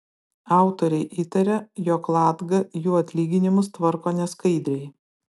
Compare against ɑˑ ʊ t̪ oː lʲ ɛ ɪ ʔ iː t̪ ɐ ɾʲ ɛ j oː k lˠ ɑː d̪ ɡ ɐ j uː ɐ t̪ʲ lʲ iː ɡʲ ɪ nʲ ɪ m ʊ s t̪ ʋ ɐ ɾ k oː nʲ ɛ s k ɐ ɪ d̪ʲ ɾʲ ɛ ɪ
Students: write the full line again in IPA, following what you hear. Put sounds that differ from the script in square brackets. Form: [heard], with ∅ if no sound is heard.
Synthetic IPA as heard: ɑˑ ʊ t̪ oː [ɾʲ] ɛ ɪ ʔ iː t̪ ɐ ɾʲ ɛ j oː k lˠ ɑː d̪ ɡ ɐ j uː ɐ t̪ʲ lʲ iː ɡʲ ɪ nʲ ɪ m ʊ s t̪ ʋ ɐ ɾ k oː nʲ ɛ s k ɐ ɪ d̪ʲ ɾʲ ɛ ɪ